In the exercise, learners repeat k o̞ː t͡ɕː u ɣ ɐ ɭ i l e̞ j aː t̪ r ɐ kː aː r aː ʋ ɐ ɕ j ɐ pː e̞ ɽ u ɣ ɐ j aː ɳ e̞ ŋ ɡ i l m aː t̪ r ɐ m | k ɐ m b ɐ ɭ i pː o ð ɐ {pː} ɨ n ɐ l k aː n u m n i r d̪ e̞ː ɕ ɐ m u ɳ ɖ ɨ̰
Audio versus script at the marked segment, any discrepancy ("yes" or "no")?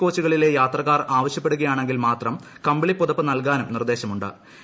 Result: no